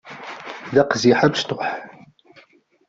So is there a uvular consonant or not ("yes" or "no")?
yes